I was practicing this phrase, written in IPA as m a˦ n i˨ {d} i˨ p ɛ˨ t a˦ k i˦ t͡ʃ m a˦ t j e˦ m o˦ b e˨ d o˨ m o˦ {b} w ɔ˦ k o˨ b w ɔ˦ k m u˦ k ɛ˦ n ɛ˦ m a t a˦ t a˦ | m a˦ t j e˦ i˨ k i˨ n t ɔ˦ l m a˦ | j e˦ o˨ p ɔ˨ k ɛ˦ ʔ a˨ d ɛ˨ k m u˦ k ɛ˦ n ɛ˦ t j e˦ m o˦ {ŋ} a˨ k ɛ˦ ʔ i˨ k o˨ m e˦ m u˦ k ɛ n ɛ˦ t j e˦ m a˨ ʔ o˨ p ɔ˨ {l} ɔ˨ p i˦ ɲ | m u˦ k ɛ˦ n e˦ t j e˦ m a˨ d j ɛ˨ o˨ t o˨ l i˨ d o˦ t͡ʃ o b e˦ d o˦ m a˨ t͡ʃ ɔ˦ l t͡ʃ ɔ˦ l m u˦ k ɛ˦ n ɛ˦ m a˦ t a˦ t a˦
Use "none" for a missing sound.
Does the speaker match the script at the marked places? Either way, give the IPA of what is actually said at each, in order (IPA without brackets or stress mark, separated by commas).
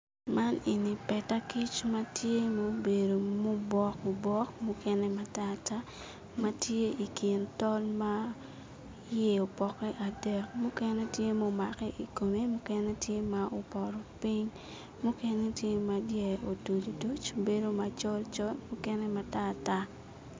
n, b, m, ɾ